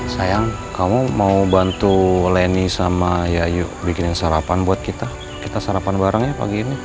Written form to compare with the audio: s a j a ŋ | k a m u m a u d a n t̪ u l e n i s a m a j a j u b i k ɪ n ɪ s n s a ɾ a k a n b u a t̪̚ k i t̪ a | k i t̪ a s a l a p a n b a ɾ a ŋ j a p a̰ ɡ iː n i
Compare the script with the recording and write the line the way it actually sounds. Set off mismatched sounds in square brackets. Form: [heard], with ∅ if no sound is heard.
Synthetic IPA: s a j a ŋ | k a m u m a u [b] a n t̪ u l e n i s a m a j a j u b i k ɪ n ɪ [∅] n s a ɾ a [p] a n b u a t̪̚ k i t̪ a | k i t̪ a s a [ɾ] a p a n b a ɾ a ŋ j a p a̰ ɡ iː n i